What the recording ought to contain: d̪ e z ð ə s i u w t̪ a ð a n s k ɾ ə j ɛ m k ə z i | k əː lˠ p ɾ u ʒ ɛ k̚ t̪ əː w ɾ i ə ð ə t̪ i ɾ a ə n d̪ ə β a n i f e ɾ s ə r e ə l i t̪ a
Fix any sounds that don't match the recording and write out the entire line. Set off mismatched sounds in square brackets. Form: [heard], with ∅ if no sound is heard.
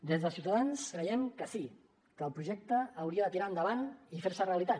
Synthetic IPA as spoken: d̪ e z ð ə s i u w t̪ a ð a n s k ɾ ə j ɛ m k ə [s] i | k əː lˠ p ɾ u ʒ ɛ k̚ t̪ əː w ɾ i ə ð ə t̪ i ɾ a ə n d̪ ə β a n i f e ɾ s ə r e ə l i t̪ a